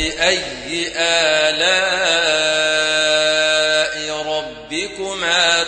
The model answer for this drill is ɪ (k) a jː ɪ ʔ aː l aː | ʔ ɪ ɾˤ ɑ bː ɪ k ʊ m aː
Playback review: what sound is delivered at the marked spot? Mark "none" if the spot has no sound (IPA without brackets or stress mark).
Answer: ʔ